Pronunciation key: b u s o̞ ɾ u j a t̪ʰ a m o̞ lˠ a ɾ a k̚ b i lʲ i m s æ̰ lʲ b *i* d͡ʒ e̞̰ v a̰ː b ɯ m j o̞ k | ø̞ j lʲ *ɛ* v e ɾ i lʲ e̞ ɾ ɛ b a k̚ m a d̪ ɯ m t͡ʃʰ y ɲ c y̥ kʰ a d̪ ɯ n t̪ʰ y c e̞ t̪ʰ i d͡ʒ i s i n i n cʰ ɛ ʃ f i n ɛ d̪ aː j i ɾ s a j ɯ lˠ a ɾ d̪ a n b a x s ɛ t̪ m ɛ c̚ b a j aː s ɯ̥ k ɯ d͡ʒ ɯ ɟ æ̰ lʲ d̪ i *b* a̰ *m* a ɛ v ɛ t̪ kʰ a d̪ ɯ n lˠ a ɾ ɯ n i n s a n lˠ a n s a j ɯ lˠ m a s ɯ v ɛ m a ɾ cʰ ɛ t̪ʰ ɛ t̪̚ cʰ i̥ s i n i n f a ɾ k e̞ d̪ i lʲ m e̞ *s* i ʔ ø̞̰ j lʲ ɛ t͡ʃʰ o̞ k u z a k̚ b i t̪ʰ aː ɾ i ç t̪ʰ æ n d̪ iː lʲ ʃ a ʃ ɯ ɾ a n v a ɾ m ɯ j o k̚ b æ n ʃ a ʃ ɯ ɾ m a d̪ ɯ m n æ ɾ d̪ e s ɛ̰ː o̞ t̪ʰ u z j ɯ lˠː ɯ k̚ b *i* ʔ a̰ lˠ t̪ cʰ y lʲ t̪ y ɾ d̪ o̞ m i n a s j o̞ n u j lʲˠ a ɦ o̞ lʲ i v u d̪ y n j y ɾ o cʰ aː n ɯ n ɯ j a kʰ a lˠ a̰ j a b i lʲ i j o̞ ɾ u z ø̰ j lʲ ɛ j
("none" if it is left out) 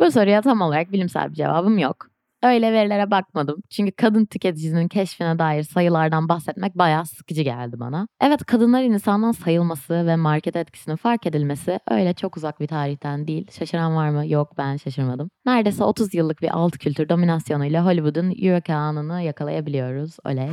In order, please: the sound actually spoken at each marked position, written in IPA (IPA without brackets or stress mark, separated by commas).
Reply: i, ɛ, b, n, s, i